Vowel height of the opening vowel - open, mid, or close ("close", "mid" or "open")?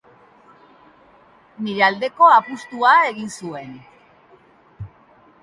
close